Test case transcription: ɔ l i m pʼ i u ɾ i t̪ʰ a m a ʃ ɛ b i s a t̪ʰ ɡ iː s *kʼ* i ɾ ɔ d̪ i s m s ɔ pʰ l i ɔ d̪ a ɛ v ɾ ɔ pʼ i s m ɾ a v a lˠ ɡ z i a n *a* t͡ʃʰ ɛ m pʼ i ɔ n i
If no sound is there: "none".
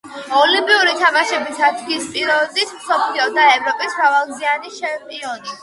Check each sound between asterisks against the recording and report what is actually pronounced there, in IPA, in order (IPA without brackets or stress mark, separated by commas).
pʼ, i